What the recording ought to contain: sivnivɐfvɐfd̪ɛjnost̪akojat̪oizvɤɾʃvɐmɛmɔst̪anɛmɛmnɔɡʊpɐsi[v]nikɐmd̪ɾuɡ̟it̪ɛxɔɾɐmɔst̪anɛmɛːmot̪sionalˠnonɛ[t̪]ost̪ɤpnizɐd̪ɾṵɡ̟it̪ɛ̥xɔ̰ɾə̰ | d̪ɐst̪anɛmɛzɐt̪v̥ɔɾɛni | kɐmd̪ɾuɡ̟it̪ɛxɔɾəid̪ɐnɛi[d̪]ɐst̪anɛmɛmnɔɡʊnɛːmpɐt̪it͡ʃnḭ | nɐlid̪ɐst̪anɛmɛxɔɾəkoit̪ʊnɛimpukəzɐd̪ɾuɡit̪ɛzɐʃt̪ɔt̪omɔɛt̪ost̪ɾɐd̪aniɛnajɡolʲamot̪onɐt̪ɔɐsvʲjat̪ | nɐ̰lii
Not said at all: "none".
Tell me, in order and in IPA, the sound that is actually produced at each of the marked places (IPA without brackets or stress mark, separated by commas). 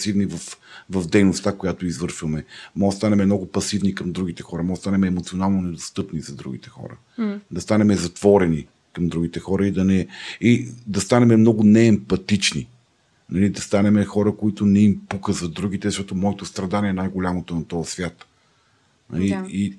v, d̪, d̪